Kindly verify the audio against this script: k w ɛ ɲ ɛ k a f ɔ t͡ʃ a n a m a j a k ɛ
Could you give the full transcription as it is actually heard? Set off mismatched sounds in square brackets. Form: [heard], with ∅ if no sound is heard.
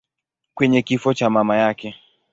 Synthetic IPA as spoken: k w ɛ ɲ ɛ k [i] f ɔ t͡ʃ a [m] a m a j a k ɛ